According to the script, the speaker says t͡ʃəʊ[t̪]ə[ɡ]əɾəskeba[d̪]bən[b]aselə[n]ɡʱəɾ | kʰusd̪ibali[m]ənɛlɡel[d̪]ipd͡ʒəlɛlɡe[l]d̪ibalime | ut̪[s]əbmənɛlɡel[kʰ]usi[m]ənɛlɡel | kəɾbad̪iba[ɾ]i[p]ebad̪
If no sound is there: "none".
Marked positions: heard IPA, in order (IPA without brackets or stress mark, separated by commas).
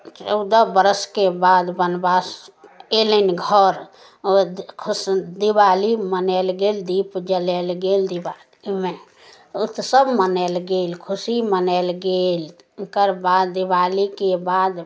d̪, b, d̪, b, n, m, d̪, l, s, kʰ, m, l, k